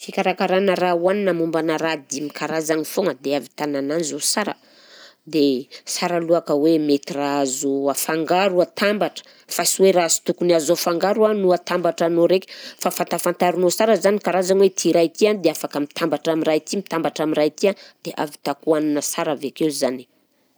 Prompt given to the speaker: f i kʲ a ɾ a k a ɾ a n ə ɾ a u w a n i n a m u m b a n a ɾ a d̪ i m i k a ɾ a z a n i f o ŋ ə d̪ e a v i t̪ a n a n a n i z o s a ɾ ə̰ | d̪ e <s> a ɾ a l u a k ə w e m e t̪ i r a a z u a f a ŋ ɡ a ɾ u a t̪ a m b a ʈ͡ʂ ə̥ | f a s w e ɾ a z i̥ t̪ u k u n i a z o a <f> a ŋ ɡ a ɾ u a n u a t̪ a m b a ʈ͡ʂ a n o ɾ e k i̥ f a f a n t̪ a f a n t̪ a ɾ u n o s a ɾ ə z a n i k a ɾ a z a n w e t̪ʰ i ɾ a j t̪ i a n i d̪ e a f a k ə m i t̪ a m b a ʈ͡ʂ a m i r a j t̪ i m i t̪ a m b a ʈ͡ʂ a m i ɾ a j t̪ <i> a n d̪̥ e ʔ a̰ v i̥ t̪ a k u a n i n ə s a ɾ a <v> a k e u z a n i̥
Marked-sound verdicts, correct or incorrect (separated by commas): correct, correct, correct, correct